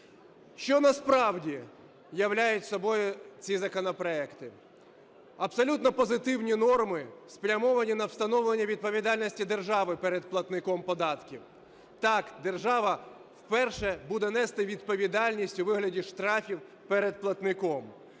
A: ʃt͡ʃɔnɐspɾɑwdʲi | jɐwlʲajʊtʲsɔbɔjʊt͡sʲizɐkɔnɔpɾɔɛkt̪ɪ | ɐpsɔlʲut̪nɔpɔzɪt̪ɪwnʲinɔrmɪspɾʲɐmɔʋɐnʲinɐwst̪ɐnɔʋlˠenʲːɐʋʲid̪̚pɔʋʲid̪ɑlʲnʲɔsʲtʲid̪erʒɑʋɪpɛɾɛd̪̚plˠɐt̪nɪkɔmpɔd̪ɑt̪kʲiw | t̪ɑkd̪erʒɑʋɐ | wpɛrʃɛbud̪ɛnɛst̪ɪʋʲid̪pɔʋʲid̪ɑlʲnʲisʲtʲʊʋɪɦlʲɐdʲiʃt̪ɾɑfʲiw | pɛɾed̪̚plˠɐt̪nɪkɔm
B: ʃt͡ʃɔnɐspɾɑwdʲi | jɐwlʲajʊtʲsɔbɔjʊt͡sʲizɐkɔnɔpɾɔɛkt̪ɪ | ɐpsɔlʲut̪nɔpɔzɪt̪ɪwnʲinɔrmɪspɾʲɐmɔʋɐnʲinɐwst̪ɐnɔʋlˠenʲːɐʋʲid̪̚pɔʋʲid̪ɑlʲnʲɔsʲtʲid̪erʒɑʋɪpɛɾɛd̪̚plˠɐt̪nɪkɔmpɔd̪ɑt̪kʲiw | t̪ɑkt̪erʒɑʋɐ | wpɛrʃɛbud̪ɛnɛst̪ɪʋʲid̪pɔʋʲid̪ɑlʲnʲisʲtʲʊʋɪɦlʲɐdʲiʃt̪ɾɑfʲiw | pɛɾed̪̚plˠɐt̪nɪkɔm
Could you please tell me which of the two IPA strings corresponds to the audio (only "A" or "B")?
A